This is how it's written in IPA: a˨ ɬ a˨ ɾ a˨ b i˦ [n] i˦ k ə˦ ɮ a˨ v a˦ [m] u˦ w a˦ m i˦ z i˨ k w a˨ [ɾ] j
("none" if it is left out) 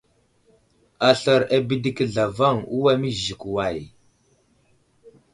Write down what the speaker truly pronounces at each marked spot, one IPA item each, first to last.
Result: d, ŋ, none

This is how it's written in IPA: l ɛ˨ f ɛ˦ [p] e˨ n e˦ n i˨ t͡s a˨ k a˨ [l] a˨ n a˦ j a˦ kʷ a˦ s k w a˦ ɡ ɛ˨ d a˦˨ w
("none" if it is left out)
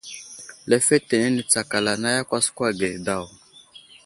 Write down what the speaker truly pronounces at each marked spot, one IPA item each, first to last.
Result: t, l

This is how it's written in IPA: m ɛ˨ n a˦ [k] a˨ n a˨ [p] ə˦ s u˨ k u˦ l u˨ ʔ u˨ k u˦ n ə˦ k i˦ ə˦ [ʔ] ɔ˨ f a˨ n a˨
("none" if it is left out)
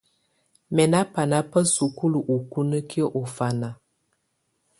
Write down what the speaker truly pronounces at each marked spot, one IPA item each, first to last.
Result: p, p, ʔ

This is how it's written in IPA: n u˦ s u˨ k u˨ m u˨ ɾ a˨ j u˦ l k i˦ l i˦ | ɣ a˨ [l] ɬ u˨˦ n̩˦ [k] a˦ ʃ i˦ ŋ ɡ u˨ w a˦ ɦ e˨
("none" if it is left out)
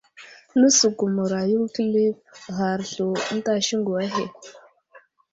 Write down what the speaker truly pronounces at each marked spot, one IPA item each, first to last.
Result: ɾ, t

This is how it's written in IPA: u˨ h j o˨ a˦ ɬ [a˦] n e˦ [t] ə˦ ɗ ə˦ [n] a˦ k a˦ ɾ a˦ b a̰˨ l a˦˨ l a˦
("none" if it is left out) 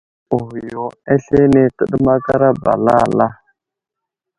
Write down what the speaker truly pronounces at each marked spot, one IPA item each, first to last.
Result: e˦, t, m

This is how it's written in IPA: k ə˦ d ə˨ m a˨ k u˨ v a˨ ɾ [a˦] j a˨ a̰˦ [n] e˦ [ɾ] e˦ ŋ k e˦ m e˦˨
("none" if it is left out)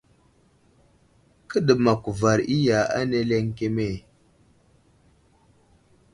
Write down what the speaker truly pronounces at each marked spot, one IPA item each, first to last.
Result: i˦, n, l

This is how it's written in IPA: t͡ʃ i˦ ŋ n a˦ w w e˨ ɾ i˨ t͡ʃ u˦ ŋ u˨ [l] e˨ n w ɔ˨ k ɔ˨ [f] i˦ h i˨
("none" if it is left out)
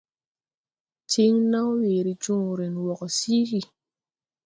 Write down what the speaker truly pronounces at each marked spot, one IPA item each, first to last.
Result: ɾ, s

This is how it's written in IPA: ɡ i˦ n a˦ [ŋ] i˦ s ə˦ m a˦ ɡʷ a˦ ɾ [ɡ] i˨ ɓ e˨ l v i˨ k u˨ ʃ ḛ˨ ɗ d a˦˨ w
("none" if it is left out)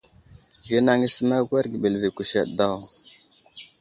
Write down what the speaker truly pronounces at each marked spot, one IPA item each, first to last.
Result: ŋ, ɡ

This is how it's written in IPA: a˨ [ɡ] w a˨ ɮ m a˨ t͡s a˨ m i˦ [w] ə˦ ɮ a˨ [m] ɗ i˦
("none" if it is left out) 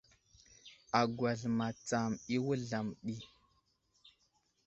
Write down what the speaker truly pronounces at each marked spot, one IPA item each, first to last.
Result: ɡ, w, m

